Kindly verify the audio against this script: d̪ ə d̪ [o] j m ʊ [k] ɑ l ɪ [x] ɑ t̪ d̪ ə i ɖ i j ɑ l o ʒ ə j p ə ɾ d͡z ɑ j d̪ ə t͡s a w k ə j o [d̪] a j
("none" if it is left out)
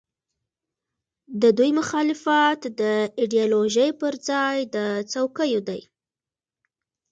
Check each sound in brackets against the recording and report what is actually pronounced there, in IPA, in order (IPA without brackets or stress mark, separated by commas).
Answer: u, x, f, d̪